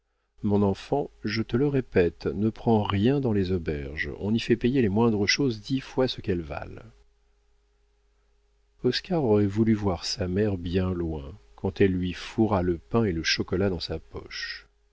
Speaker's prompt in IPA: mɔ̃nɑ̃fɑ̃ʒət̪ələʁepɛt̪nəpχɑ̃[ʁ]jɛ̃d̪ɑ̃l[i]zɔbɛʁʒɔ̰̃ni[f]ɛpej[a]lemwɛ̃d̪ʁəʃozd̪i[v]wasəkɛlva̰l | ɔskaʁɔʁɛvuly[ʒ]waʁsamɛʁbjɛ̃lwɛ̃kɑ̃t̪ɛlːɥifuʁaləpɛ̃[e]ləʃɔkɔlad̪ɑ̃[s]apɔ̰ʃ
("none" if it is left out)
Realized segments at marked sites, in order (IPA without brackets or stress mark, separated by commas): ʁ, e, f, e, f, v, e, s